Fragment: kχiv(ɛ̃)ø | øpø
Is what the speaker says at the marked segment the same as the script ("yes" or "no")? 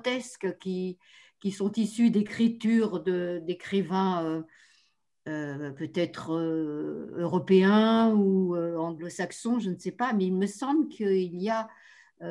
yes